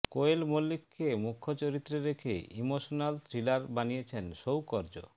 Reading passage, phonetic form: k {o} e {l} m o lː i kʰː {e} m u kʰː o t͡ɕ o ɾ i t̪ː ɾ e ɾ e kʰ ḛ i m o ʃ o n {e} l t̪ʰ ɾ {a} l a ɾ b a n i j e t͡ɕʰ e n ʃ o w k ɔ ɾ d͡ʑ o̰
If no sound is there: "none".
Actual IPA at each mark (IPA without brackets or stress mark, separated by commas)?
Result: o, l, e, a, i